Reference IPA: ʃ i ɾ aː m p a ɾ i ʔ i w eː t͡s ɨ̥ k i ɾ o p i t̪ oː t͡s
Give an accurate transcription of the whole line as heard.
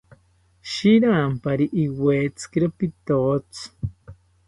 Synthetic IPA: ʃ i ɾ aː m p a ɾ i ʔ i w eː t͡s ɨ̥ k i ɾ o p i t̪ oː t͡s